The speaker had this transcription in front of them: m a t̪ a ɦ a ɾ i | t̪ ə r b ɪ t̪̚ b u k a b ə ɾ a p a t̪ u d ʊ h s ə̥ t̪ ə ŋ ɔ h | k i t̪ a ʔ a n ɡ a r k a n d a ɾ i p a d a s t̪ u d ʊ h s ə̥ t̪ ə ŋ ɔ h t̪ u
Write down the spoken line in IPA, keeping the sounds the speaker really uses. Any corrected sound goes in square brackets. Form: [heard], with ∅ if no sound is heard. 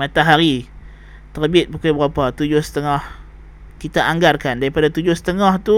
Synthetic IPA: m a t̪ a ɦ a ɾ i | t̪ ə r b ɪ t̪̚ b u k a b ə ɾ a p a t̪ u [d͡ʒ] ʊ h s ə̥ t̪ ə ŋ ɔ h | k i t̪ a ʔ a [ŋ] ɡ a r k a n d a ɾ i p a d a [∅] t̪ u [d͡ʒ] ʊ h s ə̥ t̪ ə ŋ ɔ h t̪ u